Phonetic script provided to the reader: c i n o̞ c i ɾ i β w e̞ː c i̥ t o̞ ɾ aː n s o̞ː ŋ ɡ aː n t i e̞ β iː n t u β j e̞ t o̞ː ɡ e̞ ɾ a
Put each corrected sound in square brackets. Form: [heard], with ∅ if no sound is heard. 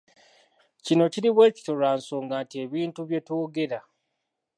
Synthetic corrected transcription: c i n o̞ c i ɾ i β w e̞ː c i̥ t o̞ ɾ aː n s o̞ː ŋ ɡ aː n t i e̞ β iː n t u β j e̞ t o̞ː ɡ e̞ ɾ a